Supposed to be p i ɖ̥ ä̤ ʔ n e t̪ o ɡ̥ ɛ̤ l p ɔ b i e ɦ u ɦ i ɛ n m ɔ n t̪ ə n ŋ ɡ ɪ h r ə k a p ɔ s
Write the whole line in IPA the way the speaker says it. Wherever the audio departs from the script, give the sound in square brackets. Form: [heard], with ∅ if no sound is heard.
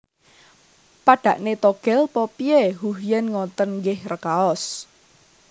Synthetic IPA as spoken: p [a] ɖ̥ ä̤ ʔ n e t̪ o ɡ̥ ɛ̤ l p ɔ [p] i e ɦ u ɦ [j] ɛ n [ŋ] ɔ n t̪ ə n ŋ ɡ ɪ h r ə k a [∅] ɔ s